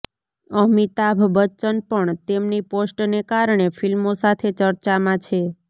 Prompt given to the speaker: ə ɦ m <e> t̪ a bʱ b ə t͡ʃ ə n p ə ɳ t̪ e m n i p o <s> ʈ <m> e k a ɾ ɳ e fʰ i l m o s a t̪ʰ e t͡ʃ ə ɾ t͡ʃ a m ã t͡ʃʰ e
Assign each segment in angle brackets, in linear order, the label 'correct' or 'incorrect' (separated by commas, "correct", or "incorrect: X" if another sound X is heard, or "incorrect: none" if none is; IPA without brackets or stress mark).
incorrect: i, correct, incorrect: n